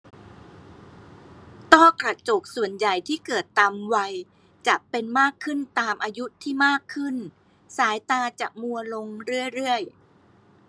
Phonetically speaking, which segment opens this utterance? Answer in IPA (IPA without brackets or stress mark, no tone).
t̪